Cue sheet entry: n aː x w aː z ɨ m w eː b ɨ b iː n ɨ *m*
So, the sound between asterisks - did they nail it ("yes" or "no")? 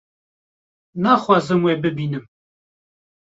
yes